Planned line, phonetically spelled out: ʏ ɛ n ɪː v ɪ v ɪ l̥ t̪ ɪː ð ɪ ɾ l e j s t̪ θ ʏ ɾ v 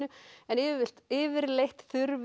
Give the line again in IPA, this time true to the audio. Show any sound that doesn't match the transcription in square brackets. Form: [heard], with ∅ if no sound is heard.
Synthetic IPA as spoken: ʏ ɛ n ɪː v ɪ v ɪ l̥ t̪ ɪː [v] ɪ ɾ l e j [h] t̪ θ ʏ ɾ v